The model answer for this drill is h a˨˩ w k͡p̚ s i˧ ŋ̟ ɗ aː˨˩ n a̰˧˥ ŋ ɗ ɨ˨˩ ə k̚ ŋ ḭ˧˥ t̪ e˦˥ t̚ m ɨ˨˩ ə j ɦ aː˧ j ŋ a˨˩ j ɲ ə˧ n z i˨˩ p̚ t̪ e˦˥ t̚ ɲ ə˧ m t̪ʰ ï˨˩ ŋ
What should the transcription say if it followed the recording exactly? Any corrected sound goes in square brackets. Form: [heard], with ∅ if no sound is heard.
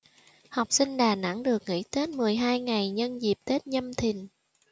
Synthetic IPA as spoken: h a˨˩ w k͡p̚ s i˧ ŋ̟ ɗ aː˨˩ n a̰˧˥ ŋ ɗ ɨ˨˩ ə k̚ ŋ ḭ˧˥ t̪ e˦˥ t̚ m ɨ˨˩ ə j ɦ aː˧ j ŋ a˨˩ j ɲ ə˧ n z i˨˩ p̚ t̪ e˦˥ t̚ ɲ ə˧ m t̪ʰ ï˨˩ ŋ